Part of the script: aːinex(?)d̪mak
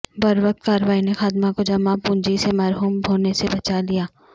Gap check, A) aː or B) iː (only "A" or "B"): A